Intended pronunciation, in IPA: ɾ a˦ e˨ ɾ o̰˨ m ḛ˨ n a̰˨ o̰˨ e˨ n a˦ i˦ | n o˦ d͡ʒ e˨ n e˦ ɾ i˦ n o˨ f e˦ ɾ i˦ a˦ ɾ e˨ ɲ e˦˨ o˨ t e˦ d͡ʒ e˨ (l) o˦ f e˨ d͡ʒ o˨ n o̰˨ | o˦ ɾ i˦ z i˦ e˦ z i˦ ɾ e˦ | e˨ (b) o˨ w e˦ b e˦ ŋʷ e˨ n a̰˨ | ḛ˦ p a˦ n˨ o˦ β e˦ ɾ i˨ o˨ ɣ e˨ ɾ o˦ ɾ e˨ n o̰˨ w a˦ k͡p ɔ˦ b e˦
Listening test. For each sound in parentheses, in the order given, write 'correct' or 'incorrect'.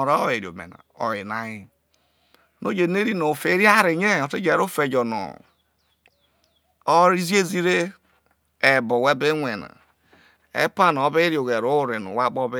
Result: incorrect, correct

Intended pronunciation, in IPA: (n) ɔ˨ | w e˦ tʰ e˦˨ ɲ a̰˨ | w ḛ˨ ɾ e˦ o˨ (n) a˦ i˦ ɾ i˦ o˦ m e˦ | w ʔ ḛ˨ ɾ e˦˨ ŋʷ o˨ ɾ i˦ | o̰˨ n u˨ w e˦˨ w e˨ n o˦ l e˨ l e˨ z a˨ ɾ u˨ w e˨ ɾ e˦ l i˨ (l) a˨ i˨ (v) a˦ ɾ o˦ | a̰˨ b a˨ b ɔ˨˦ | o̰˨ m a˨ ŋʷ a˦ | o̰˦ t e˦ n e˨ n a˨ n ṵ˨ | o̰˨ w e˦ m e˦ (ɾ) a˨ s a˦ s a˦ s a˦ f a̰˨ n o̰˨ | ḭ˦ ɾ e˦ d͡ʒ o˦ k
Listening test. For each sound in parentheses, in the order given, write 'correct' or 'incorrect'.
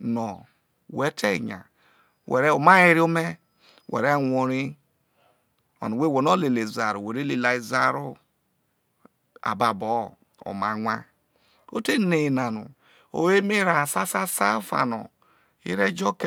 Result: correct, incorrect, correct, incorrect, correct

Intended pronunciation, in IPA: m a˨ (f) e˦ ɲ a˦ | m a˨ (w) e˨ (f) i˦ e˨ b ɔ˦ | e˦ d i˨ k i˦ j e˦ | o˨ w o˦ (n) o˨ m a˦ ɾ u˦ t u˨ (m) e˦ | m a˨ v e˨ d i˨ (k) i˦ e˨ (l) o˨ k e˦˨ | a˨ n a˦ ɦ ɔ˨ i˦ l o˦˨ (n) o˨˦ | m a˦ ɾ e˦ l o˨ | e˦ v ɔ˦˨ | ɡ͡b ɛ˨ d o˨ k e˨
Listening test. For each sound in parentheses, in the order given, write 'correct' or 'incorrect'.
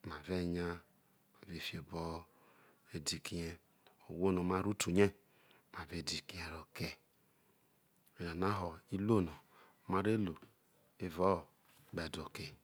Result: incorrect, incorrect, correct, correct, incorrect, correct, incorrect, correct

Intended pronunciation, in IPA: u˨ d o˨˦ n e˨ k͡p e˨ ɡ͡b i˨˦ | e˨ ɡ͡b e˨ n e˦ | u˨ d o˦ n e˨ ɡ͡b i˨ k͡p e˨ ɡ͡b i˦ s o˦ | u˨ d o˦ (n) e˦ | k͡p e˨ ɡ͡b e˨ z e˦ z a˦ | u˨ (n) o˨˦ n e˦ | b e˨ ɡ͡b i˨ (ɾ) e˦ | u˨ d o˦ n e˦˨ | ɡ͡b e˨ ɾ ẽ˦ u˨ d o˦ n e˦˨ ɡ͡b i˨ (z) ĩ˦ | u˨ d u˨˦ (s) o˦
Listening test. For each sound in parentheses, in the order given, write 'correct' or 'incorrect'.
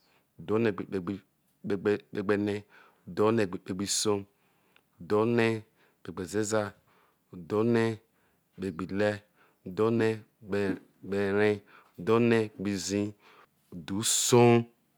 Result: correct, incorrect, incorrect, correct, correct

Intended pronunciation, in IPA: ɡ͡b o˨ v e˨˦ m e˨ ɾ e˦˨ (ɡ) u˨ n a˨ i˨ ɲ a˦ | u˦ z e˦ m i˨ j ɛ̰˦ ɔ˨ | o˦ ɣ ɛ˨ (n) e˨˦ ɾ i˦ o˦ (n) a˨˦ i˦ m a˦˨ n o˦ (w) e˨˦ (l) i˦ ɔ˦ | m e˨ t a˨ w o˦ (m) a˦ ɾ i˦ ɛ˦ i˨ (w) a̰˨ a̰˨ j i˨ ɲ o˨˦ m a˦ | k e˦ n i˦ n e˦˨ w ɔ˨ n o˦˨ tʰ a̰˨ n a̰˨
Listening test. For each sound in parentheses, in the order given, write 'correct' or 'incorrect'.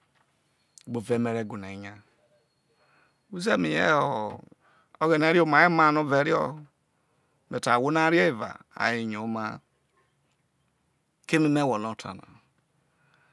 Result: correct, correct, incorrect, incorrect, incorrect, incorrect, incorrect

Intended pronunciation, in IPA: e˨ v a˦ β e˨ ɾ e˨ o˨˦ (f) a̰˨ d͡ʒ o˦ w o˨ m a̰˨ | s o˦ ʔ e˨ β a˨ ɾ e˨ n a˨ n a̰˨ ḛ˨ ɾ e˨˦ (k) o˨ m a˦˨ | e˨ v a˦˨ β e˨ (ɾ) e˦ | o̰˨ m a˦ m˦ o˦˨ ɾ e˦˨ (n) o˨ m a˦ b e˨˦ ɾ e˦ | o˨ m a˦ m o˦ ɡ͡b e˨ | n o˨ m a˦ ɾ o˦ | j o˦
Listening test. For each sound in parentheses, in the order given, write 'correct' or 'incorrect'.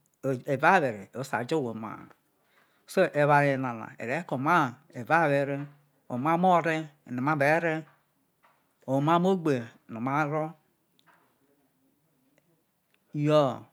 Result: incorrect, correct, correct, correct

